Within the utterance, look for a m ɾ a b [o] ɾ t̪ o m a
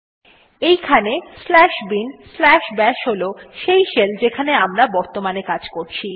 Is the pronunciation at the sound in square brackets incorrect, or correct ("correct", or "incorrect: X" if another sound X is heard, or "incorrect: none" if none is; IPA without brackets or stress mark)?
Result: incorrect: ɔ